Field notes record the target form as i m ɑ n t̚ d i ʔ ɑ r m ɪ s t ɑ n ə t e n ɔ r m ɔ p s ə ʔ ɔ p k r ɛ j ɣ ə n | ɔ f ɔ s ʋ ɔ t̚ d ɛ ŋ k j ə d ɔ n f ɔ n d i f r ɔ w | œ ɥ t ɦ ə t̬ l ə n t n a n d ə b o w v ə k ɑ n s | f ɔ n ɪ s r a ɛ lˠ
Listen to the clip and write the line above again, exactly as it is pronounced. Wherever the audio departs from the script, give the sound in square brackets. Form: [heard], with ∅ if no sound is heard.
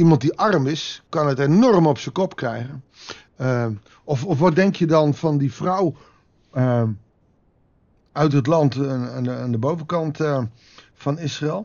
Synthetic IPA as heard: i m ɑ n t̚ d i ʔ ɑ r m ɪ s [k] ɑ n ə t e n ɔ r m ɔ p s ə [k] ɔ p k r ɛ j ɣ ə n | ɔ f ɔ [f] ʋ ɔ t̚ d ɛ ŋ k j ə d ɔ n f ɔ n d i f r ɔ w | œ ɥ t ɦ ə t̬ l [ɑ] n t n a n d ə b o w v ə k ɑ n [t] | f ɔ n ɪ s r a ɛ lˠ